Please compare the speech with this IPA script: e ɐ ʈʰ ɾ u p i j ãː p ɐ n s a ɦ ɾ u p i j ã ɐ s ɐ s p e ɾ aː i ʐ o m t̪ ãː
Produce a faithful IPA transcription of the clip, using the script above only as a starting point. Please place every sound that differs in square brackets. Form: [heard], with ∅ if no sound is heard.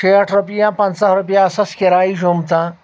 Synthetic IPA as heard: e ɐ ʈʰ ɾ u p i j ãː p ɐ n s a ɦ ɾ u p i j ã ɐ s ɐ s [k] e ɾ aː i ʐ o m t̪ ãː